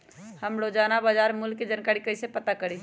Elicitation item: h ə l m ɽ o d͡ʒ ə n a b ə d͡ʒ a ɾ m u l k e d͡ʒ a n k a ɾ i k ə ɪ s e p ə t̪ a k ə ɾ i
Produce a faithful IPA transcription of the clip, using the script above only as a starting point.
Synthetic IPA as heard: h ə m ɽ o d͡ʒ a n a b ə d͡ʒ a ɾ m u l k e d͡ʒ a n k a ɾ i k ə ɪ s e p ə t̪ a k ə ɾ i

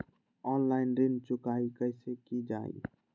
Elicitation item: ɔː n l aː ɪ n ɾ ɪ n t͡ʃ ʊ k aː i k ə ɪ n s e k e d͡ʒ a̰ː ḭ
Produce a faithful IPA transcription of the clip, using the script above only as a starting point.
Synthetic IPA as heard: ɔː n l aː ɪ n ɾ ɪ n t͡ʃ ʊ k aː i k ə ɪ s e k i d͡ʒ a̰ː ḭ

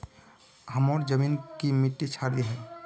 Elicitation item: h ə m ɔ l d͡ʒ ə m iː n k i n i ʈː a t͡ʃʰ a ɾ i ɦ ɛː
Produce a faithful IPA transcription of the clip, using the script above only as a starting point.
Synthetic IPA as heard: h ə m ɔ ɾ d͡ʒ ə m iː n k i m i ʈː i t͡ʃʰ a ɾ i ɦ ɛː

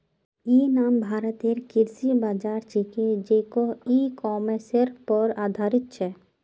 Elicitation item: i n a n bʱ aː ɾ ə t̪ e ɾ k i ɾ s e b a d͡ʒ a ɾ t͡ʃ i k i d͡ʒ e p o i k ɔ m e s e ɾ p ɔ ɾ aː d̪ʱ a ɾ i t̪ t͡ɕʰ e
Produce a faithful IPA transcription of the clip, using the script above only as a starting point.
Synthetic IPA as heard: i n a m bʱ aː ɾ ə t̪ e ɾ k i ɾ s i b a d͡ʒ a ɾ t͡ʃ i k e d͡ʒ e k o i k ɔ m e s e ɾ p ɔ ɾ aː d̪ʱ a ɾ i t̪ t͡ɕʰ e

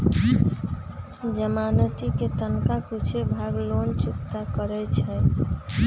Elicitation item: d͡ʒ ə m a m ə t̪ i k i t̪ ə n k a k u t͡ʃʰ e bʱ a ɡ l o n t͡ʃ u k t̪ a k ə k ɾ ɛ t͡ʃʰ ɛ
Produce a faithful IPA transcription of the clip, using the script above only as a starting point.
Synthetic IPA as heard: d͡ʒ ə m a n ə t̪ i k e t̪ ə n k a k u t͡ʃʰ e bʱ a ɡ l o n t͡ʃ u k t̪ a k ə ɾ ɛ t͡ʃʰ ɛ

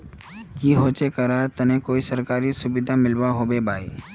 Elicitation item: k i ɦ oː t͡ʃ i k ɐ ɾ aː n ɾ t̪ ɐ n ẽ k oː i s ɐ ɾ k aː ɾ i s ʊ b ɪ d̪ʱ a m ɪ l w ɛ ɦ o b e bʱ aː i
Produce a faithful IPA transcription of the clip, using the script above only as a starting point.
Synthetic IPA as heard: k i ɦ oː t͡ʃ e k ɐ ɾ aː ɾ t̪ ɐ n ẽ k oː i s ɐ ɾ k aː ɾ i s ʊ b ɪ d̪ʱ a m ɪ l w a ɦ o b e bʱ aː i

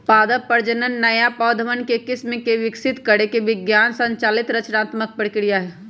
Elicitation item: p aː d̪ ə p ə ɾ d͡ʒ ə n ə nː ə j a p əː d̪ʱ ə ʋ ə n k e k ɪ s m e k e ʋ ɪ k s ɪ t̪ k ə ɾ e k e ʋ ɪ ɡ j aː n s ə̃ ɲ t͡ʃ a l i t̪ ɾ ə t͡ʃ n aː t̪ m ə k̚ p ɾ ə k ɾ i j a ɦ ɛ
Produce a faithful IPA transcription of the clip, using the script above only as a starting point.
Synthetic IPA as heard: p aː d̪ ə p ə ɾ d͡ʒ ə n ə nː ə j a p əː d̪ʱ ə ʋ ə n k e k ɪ s m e k e ʋ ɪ k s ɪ t̪ k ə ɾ e k e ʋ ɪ ɡ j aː n s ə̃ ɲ t͡ʃ a l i t̪ ɾ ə t͡ʃ n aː t̪ m ə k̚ p ɾ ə k ɾ i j a ɦ ɛ

